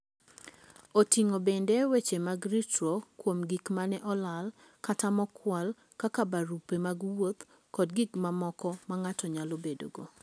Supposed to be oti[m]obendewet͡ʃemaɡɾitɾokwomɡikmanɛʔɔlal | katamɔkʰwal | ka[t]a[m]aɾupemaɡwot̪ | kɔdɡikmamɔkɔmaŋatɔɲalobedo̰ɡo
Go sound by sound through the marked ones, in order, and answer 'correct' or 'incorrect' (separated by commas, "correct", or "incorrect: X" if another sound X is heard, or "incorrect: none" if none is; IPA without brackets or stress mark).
incorrect: ŋ, incorrect: k, incorrect: b